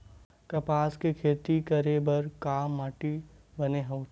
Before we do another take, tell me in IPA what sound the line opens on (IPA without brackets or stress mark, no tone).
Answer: k